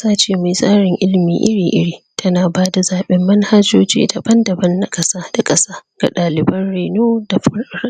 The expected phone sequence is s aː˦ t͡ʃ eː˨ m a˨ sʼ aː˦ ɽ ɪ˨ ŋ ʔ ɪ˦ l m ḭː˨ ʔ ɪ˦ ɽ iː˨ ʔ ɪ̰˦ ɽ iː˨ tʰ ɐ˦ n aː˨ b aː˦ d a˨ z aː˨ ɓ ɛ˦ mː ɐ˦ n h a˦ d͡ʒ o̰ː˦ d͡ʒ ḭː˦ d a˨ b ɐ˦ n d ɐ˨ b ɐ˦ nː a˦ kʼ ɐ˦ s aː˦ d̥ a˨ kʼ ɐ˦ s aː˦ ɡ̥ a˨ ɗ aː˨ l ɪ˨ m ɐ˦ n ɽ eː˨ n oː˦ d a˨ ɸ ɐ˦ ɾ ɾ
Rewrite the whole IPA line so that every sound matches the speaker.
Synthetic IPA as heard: s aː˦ t͡ʃ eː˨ m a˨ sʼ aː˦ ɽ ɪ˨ ŋ ʔ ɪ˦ l m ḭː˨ ʔ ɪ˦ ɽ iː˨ ʔ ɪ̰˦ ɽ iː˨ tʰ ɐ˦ n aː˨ b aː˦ d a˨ z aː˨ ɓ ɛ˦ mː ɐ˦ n h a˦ d͡ʒ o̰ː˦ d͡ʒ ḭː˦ d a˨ b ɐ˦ n d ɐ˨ b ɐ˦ nː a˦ kʼ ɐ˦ s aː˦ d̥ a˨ kʼ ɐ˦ s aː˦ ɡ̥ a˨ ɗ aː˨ l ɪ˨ b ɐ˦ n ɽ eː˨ n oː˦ d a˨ ɸ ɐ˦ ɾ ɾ